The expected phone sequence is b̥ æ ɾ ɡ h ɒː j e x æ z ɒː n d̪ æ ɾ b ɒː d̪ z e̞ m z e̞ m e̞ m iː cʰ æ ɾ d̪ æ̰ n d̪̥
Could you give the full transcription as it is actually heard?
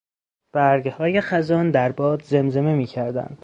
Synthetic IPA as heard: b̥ æ ɾ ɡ h ɒː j e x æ z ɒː n d̪ æ ɾ b ɒː d̪ z e̞ m z e̞ m e̞ m iː cʰ æ ɾ d̪ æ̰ n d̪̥